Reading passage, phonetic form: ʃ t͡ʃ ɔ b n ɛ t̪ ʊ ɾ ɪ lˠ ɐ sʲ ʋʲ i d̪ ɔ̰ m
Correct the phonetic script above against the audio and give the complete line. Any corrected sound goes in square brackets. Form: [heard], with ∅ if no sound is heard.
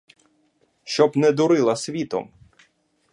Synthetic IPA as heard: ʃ t͡ʃ ɔ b n ɛ [d̪] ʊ ɾ ɪ lˠ ɐ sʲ ʋʲ i [t̪] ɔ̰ m

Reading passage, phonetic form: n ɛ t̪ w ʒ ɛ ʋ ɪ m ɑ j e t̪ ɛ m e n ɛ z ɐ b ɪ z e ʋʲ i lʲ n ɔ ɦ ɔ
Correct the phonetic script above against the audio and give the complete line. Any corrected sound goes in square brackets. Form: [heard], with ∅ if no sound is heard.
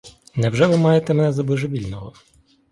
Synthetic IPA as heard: n ɛ [∅] w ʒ ɛ ʋ ɪ m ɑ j e t̪ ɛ m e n ɛ z ɐ b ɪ [ʒ] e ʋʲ i lʲ n ɔ ɦ ɔ

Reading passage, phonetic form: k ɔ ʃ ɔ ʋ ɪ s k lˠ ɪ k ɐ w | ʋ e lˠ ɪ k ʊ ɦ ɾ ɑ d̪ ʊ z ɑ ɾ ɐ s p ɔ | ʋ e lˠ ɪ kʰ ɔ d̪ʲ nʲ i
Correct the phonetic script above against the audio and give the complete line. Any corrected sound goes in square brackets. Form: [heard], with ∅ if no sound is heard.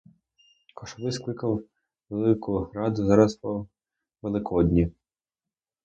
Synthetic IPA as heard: k ɔ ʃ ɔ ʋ ɪ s k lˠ ɪ k ɐ w | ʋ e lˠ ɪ k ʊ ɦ ɾ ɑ d̪ ʊ z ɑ ɾ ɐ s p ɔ | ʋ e lˠ ɪ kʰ ɔ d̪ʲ nʲ i

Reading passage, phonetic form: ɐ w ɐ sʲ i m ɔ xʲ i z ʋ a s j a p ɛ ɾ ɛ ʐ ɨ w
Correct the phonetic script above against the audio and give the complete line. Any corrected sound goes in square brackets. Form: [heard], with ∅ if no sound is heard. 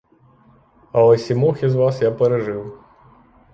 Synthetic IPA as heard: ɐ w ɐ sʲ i m ɔ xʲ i z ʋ a s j a p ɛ ɾ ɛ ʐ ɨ w

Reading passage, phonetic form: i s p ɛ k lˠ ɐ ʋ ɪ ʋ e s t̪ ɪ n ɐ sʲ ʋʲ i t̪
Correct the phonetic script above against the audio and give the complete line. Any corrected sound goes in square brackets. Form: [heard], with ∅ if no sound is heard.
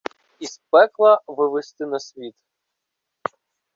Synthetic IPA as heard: i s p ɛ k lˠ ɐ ʋ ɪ ʋ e s t̪ ɪ n ɐ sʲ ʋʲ i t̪

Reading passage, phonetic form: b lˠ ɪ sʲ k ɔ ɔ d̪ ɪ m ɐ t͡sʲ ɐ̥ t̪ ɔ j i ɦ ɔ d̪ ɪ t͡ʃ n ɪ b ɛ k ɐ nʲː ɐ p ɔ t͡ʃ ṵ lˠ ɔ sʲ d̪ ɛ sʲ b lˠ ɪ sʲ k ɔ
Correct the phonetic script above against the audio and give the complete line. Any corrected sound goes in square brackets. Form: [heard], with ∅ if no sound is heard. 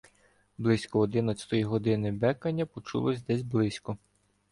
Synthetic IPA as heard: b lˠ ɪ sʲ k ɔ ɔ d̪ ɪ [n] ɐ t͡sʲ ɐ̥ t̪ ɔ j i ɦ ɔ d̪ ɪ [∅] n ɪ b ɛ k ɐ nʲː ɐ p ɔ t͡ʃ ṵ lˠ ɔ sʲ d̪ ɛ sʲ b lˠ ɪ sʲ k ɔ

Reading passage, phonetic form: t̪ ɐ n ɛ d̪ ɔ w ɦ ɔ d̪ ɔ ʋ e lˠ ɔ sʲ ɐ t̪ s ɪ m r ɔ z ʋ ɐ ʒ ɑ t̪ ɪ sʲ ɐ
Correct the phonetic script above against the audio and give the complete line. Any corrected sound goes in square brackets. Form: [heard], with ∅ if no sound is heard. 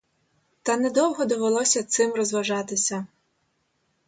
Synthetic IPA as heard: t̪ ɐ n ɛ d̪ ɔ w ɦ ɔ d̪ ɔ ʋ e lˠ ɔ sʲ ɐ t̪ s ɪ m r ɔ z ʋ ɐ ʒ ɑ t̪ ɪ sʲ ɐ

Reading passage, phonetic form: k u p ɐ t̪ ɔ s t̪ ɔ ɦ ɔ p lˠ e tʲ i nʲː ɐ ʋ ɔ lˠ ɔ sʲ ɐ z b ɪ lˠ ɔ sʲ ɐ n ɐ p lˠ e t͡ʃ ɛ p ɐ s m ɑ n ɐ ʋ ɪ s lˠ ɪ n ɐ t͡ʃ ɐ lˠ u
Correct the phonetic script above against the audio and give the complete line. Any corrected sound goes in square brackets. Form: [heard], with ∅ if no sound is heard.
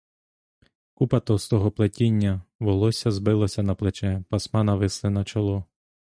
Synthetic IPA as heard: k u p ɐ t̪ ɔ s t̪ ɔ ɦ ɔ p lˠ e tʲ i nʲː ɐ ʋ ɔ lˠ ɔ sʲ ɐ z b ɪ lˠ ɔ sʲ ɐ n ɐ p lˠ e t͡ʃ ɛ p ɐ s m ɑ n ɐ ʋ ɪ s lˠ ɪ n ɐ t͡ʃ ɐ lˠ [ɔ]

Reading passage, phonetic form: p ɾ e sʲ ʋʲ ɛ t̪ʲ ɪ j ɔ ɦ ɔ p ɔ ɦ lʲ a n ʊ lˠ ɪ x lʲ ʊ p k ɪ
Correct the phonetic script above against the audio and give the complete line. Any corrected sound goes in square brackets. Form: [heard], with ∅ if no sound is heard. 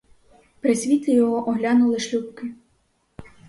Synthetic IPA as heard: p ɾ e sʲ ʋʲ [i] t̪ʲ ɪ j ɔ ɦ ɔ [ʔ] ɔ ɦ lʲ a n ʊ lˠ ɪ [ʃ] lʲ [u] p k ɪ

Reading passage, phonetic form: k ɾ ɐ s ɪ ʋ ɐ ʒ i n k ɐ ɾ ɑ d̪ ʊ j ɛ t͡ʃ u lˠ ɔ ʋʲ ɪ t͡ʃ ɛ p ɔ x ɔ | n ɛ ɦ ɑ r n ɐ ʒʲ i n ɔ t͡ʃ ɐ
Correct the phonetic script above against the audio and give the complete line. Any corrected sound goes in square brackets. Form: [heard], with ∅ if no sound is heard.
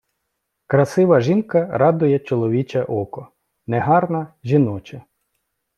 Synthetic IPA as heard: k ɾ ɐ s ɪ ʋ ɐ ʒ i n k ɐ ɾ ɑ d̪ ʊ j ɛ t͡ʃ [ɔ] lˠ ɔ ʋʲ [i] t͡ʃ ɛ [ʔ] ɔ [k] ɔ | n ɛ ɦ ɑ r n ɐ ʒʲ i n ɔ t͡ʃ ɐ

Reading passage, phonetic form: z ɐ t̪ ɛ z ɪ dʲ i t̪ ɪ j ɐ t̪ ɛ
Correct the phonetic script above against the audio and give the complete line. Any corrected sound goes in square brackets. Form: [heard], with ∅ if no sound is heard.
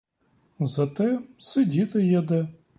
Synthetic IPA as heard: z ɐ t̪ ɛ [s] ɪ dʲ i t̪ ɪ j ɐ [d̪] ɛ

